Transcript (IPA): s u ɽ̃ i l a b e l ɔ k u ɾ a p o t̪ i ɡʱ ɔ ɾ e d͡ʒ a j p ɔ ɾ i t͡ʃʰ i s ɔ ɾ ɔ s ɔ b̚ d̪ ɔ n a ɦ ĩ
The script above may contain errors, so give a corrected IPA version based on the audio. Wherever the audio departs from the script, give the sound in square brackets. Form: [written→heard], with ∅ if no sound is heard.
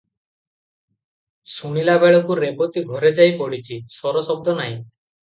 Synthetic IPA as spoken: s u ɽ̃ i l a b e [l→ɭ] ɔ k u ɾ [a→e] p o t̪ i ɡʱ ɔ ɾ e d͡ʒ a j p ɔ [ɾ→ɽ] i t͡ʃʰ i s ɔ ɾ ɔ s ɔ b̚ d̪ ɔ n a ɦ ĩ